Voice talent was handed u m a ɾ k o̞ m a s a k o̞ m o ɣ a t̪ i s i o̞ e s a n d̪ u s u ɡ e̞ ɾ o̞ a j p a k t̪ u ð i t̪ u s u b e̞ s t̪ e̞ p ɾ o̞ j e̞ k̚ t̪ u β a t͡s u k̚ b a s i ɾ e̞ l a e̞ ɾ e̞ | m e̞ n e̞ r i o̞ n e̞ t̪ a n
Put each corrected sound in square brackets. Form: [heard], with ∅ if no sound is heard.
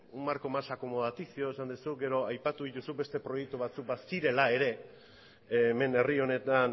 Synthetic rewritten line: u m a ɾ k o̞ m a s a k o̞ m o [ð] a t̪ i s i o̞ e s a n d̪ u s u ɡ e̞ ɾ o̞ a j p a [∅] t̪ u ð i t̪ u s u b e̞ s t̪ e̞ p ɾ o̞ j e̞ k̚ t̪ u β a t͡s u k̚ b a s i ɾ e̞ l a e̞ ɾ e̞ | m e̞ n e̞ r i o̞ n e̞ t̪ a n